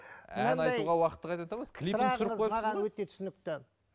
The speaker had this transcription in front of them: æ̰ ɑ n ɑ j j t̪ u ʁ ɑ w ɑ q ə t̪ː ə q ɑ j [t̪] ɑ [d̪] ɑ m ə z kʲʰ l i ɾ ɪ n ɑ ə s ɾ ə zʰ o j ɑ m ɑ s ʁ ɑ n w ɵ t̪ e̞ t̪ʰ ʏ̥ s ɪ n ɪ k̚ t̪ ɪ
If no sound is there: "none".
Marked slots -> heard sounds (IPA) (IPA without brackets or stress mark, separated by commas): t̪, t̪